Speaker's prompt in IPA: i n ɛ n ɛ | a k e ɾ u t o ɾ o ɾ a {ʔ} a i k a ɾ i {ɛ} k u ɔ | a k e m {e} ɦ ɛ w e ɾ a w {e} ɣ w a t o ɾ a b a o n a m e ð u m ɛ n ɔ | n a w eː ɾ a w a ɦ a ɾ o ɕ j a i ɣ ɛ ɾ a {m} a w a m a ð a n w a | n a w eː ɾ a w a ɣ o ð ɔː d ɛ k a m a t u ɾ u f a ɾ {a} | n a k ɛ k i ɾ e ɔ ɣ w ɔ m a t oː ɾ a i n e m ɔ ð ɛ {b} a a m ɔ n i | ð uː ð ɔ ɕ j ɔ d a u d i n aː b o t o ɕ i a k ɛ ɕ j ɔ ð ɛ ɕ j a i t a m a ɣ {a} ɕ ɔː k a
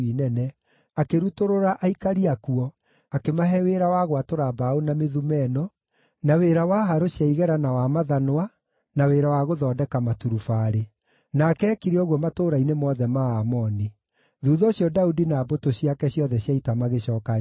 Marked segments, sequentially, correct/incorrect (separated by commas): correct, incorrect, incorrect, incorrect, incorrect, incorrect, incorrect, incorrect